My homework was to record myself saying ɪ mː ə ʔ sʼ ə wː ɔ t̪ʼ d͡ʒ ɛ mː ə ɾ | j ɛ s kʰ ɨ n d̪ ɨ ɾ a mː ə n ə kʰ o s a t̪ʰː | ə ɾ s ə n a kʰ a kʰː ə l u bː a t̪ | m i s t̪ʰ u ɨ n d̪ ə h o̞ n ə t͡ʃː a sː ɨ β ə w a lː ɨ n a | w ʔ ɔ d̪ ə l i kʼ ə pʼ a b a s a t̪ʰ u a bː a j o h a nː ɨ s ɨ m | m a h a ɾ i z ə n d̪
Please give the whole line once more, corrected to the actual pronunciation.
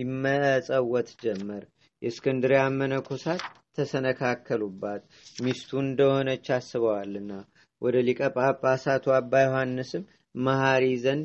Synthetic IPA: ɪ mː ə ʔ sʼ ə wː ɔ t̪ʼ d͡ʒ ɛ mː ə ɾ | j ɛ s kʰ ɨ n d̪ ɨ ɾ a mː ə n ə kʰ o s a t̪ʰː | ə s ə n ə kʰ a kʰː ə l u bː a t̪ | m i s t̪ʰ u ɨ n d̪ ə h o̞ n ə t͡ʃː a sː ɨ β ə w a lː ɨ nː a | w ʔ ɔ d̪ ə l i kʼ ə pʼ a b a s a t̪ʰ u a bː a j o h a nː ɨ s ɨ m | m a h a ɾ i z ə n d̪